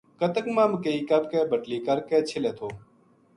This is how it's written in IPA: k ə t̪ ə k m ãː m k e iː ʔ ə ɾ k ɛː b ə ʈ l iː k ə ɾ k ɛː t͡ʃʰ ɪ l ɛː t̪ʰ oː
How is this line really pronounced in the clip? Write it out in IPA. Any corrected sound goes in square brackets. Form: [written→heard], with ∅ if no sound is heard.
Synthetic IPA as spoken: k ə t̪ ə k m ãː m k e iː [ʔ→k] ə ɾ k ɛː b ə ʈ l iː k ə ɾ k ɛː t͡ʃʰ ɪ l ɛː t̪ʰ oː